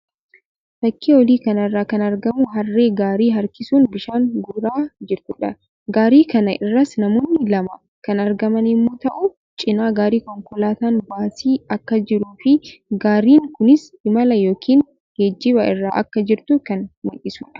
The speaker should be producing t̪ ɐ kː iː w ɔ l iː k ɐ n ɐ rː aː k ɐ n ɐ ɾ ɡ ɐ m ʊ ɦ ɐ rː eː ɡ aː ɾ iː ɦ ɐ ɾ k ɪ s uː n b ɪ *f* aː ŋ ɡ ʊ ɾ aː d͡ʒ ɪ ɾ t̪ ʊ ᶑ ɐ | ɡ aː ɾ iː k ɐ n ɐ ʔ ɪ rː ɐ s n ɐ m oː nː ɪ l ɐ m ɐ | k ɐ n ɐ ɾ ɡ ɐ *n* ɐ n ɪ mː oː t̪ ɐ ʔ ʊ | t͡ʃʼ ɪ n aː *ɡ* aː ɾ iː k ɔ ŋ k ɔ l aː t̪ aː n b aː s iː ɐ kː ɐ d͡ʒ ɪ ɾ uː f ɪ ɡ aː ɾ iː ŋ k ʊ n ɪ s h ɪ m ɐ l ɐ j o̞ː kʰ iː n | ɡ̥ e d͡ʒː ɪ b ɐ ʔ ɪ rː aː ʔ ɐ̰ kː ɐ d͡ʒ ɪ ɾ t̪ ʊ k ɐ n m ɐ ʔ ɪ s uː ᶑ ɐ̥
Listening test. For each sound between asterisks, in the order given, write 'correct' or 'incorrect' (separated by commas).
incorrect, incorrect, correct